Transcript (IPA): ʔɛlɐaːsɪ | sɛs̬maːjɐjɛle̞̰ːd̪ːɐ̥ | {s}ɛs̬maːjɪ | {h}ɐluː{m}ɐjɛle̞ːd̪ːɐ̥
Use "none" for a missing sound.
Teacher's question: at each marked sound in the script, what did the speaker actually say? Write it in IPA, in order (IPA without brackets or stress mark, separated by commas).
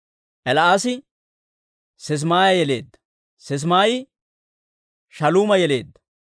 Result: s, ʃ, m